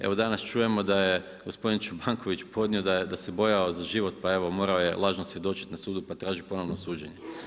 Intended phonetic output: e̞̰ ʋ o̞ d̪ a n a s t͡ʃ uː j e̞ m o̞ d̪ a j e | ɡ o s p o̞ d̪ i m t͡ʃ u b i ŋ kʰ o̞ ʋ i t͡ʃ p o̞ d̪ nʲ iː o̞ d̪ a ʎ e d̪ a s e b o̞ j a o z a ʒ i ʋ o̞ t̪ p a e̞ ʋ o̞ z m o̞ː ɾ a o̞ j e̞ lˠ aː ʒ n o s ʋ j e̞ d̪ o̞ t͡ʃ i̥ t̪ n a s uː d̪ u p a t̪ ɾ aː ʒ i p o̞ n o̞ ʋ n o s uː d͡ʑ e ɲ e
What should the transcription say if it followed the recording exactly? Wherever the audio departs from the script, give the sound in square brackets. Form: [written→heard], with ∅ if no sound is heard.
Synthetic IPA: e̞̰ ʋ o̞ d̪ a n a s t͡ʃ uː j e̞ m o̞ d̪ a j e | ɡ o s p o̞ d̪ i [m→n] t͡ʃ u b [i→a] ŋ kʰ o̞ ʋ i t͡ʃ p o̞ d̪ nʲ [iː→i] o̞ d̪ a [ʎ→j] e d̪ a s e b o̞ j a o z a ʒ i ʋ o̞ t̪ p a e̞ ʋ o̞ [z→∅] m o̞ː ɾ a o̞ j e̞ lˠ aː ʒ n o s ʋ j e̞ d̪ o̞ t͡ʃ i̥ t̪ n a s uː d̪ u p a t̪ ɾ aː ʒ i p o̞ n o̞ ʋ n o s uː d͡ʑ e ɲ e